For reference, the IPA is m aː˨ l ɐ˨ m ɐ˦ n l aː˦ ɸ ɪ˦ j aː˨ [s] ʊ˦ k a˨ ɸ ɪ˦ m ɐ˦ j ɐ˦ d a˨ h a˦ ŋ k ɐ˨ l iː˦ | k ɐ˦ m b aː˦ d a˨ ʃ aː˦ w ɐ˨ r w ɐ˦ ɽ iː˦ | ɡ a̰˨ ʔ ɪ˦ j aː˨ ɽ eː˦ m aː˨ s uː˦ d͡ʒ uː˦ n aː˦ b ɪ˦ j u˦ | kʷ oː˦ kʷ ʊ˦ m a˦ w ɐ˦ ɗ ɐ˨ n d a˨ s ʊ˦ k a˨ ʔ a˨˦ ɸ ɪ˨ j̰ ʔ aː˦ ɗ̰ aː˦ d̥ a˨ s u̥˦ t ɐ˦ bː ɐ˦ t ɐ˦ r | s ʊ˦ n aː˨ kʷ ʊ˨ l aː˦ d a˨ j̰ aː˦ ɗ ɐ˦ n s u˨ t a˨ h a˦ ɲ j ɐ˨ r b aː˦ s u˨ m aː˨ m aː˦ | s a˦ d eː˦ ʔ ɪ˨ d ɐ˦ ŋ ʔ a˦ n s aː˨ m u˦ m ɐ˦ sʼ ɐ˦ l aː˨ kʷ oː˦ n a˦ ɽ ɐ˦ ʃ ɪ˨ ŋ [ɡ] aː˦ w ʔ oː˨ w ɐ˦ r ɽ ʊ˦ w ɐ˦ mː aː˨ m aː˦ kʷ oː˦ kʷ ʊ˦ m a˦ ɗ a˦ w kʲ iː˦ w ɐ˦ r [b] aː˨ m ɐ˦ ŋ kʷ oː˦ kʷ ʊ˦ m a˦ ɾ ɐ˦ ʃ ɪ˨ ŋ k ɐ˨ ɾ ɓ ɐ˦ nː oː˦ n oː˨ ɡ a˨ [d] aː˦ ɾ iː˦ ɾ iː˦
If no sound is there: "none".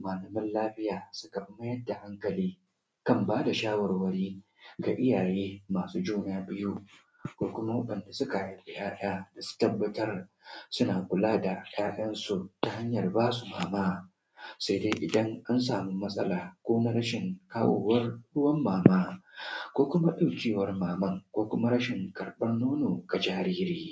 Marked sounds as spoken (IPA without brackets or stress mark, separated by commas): s, k, m, d͡ʒ